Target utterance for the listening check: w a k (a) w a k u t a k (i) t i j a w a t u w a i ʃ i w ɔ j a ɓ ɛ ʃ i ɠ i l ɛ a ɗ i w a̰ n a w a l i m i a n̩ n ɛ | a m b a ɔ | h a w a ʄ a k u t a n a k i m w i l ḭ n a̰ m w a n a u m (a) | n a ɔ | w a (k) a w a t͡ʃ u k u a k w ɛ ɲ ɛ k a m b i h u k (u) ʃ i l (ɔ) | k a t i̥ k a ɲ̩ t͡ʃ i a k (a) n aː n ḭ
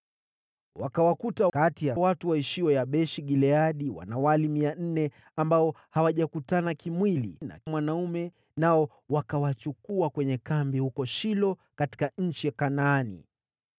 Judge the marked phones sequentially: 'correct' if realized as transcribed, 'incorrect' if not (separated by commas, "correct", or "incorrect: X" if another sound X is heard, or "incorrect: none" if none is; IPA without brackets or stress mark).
correct, incorrect: a, incorrect: ɛ, correct, incorrect: ɔ, correct, correct